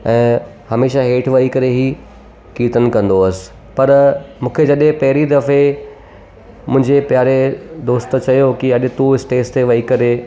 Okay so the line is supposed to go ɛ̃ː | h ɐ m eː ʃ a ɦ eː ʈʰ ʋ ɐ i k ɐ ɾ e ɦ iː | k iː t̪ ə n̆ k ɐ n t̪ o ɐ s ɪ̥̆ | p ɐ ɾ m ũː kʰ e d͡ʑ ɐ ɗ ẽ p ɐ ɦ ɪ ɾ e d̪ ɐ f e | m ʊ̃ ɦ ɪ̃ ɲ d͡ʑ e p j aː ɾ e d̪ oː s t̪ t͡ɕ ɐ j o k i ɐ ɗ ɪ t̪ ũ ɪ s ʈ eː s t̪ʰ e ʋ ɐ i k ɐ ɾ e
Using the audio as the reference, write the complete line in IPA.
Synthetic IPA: ɛ̃ː | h ɐ m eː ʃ a ɦ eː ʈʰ ʋ ɐ i k ɐ ɾ e ɦ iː | k iː t̪ ə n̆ k ɐ̃ n d̪ o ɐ s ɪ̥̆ | p ɐ ɾ m ũː kʰ e d͡ʑ ɐ ɗ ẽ p ɐ ɦ ɪ ɾ i d̪ ɐ f e | m ʊ̃ ɦ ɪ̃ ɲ d͡ʑ e p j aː ɾ e d̪ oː s t̪ t͡ɕ ɐ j o k i ɐ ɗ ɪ t̪ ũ ɪ s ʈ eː s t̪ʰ e ʋ ɐ i k ɐ ɾ e

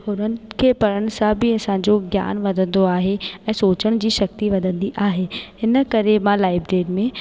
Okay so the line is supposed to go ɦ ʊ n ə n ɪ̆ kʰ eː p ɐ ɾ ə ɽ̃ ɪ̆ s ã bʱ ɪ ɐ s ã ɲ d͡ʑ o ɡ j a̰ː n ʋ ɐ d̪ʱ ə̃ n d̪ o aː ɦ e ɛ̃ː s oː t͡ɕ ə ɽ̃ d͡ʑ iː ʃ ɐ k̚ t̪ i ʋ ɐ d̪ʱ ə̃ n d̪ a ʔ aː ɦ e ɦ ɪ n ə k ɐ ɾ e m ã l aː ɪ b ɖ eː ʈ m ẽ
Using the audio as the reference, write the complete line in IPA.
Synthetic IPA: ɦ ʊ n ə n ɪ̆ kʰ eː p ɐ ɾ ə ɽ̃ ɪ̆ s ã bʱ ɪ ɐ s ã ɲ d͡ʑ o ɡ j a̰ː n ʋ ɐ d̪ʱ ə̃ n d̪ o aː ɦ e ɛ̃ː s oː t͡ɕ ə ɽ̃ d͡ʑ iː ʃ ɐ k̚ t̪ i ʋ ɐ d̪ʱ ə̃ n d̪ i ʔ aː ɦ e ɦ ɪ n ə k ɐ ɾ e m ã l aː ɪ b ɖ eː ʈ m ẽ

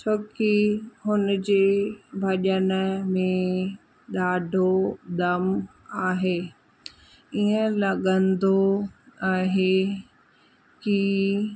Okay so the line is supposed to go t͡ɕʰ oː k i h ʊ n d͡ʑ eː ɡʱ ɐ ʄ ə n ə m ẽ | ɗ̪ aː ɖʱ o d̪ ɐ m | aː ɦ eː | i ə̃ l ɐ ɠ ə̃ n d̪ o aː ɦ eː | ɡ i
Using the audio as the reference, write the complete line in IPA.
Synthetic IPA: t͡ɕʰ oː k i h ʊ n d͡ʑ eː bʱ ɐ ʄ ə n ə m ẽ | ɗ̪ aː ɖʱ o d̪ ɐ m | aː ɦ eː | i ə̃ l ɐ ɠ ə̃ n d̪ o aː ɦ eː | k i

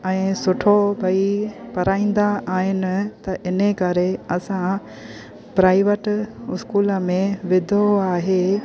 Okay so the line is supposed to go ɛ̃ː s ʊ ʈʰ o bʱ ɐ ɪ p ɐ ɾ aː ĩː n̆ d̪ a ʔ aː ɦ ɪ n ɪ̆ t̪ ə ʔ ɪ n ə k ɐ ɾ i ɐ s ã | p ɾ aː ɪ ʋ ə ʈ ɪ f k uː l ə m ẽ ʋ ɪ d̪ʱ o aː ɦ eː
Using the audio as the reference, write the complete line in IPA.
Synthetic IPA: ɛ̃ː s ʊ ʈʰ o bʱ ɐ i p ɐ ɾ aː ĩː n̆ d̪ a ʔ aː ɦ ɪ n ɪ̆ t̪ ɐ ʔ ɪ n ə k ɐ ɾ e ɐ s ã | p ɾ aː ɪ ʋ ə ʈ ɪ s k uː l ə m ẽ ʋ ɪ d̪ʱ o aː ɦ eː

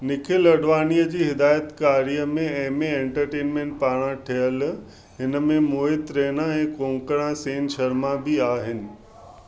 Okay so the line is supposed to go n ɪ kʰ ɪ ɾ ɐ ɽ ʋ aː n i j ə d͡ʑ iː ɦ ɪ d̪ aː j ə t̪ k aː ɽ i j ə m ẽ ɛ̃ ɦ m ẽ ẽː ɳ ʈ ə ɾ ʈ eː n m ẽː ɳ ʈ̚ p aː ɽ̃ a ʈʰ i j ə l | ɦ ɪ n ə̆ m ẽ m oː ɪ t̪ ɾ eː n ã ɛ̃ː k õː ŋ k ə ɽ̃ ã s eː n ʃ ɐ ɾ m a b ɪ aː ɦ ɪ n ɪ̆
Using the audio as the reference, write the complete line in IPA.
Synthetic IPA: n ɪ kʰ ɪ l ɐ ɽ ʋ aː n i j ə d͡ʑ iː ɦ ɪ d̪ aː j ə t̪ k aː ɾ i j ə m ẽ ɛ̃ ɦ m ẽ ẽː ɳ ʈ ə ɾ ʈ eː n m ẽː ɳ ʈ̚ p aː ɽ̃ a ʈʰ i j ə l | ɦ ɪ n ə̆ m ẽ m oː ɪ t̪ ɾ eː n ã ɛ̃ː k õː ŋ k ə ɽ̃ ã s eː n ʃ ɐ ɾ m a b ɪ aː ɦ ɪ n ɪ̆

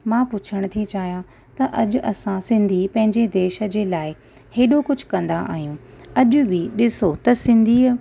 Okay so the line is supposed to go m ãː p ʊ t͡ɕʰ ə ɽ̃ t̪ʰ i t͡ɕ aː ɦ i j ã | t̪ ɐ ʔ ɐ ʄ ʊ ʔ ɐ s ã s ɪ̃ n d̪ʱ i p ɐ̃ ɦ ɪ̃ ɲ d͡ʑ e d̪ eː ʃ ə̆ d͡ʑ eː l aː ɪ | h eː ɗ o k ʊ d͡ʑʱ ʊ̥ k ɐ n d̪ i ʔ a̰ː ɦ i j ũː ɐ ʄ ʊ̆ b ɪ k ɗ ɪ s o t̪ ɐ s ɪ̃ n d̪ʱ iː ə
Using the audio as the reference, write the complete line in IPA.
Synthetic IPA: m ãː p ʊ t͡ɕʰ ə ɽ̃ t̪ʰ i t͡ɕ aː ɦ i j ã | t̪ ɐ ʔ ɐ ʄ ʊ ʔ ɐ s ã s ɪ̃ n d̪ʱ i p ɐ̃ ɦ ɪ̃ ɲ d͡ʑ e d̪ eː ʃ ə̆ d͡ʑ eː l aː ɪ | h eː ɗ o k ʊ d͡ʑʱ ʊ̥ k ɐ̃ n d̪ a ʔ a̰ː ɦ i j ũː ɐ ʄ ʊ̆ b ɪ ɗ ɪ s o t̪ ɐ s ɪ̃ n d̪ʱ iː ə

